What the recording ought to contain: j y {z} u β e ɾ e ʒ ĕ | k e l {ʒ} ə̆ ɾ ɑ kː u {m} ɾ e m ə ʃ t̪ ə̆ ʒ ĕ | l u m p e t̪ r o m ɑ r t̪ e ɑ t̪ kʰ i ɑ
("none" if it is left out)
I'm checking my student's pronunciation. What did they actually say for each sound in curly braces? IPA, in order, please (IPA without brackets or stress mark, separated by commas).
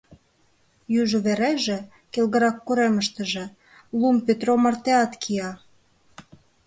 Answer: ʒ, ɣ, none